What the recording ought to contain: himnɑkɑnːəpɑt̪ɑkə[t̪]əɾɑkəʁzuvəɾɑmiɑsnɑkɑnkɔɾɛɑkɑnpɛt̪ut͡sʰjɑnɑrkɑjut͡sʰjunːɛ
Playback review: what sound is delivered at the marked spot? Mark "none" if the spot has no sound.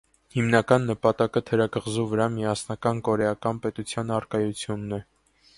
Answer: t̪ʰ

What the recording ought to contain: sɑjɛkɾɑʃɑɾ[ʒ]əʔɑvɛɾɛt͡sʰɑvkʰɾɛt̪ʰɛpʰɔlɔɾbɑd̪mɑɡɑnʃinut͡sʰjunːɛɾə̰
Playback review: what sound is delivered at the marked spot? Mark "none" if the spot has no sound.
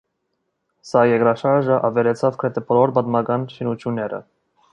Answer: ʒ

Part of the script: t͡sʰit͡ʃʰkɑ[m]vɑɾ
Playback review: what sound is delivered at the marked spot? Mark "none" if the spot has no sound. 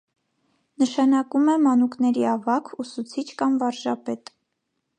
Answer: m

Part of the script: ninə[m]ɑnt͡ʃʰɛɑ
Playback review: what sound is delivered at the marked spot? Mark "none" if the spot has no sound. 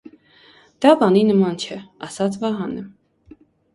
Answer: m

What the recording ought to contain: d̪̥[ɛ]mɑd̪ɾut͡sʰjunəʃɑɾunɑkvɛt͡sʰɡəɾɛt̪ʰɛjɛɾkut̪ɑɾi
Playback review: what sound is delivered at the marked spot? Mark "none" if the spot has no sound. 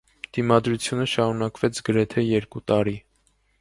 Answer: i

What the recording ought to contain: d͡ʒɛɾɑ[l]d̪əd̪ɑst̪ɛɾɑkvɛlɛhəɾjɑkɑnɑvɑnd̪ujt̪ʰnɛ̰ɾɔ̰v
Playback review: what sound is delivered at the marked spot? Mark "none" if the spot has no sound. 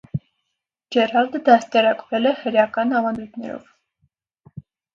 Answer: l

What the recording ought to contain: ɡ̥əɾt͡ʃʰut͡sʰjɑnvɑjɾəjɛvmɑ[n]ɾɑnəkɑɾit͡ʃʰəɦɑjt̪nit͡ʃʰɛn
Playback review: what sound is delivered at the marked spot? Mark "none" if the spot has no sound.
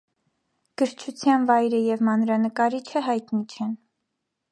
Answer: n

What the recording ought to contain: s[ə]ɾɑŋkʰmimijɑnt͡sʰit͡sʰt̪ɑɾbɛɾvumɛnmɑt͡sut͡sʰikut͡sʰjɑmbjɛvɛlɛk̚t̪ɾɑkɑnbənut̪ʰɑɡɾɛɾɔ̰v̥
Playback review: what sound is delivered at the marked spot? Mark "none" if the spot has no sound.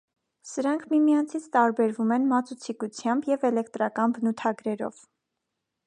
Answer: ə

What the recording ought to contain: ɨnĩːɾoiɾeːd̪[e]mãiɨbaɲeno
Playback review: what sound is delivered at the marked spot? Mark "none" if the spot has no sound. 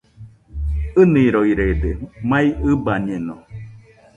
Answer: e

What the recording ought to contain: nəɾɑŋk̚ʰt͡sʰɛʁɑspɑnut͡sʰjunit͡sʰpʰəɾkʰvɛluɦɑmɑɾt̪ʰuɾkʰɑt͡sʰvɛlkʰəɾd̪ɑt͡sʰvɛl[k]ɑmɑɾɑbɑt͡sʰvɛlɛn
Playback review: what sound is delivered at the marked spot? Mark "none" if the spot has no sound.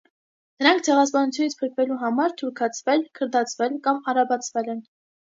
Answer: k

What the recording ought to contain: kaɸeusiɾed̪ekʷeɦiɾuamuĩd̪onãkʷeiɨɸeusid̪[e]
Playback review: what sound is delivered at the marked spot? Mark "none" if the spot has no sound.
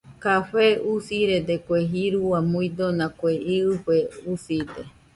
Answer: e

